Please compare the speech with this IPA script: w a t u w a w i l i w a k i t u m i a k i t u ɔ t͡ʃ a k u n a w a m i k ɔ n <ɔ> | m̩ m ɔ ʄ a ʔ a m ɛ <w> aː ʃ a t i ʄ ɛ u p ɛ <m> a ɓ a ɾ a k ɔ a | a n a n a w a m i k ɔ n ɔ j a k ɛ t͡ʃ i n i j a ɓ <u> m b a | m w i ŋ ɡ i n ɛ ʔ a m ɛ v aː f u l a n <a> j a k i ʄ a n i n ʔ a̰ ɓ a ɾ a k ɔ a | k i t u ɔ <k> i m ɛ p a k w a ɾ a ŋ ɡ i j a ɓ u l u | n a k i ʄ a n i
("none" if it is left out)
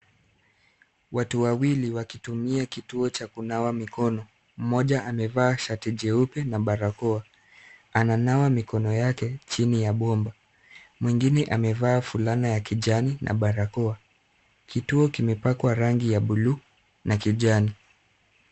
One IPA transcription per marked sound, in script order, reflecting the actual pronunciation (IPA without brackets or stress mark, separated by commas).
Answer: ɔ, v, n, ɔ, a, k